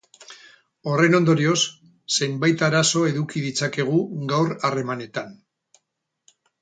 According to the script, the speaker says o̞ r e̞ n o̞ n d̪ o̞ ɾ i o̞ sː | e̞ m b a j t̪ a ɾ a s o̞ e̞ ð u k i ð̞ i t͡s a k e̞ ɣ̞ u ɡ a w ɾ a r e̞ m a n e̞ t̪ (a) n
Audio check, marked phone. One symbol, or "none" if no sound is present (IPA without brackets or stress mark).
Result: a